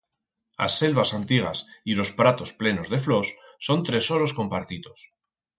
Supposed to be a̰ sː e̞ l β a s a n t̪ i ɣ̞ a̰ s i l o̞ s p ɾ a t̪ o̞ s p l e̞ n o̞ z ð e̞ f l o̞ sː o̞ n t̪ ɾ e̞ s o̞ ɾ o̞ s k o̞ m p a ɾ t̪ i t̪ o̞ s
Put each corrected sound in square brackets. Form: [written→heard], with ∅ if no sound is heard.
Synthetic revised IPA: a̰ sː e̞ l β a s a n t̪ i ɣ̞ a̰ s i l o̞ s p ɾ a t̪ o̞ s p l e̞ n o̞ z ð e̞ f l o̞ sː o̞ n t̪ ɾ e̞ s o̞ ɾ o̞ s k o̞ m p a ɾ t̪ i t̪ o̞ s